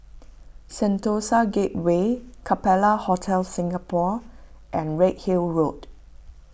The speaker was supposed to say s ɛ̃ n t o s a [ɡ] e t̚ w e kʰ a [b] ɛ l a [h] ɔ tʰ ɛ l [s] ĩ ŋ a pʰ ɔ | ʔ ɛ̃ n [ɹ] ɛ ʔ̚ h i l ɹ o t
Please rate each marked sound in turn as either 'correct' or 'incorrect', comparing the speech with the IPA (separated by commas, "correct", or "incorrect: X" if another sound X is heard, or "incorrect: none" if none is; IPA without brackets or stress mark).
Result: correct, incorrect: p, correct, correct, correct